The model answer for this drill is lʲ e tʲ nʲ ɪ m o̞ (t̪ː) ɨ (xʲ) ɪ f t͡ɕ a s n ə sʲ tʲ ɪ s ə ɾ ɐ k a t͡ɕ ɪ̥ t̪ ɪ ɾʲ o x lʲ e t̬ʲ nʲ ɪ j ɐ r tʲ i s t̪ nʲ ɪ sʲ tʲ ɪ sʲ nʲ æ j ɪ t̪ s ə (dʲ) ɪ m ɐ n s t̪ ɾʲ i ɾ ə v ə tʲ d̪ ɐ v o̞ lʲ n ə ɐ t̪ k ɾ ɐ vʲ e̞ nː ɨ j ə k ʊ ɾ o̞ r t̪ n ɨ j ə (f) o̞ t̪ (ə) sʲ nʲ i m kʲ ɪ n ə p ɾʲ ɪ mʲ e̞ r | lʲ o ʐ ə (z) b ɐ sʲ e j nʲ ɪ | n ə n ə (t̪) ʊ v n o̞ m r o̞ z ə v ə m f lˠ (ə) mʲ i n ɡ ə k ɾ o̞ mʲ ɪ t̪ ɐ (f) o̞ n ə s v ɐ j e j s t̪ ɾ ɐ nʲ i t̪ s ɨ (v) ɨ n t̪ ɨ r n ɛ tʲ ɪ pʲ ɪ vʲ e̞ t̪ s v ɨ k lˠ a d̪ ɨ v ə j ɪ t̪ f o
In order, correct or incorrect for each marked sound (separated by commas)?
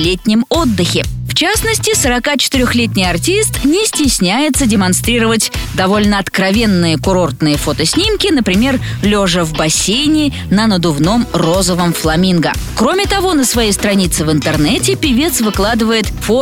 incorrect, correct, correct, correct, correct, incorrect, incorrect, incorrect, incorrect, correct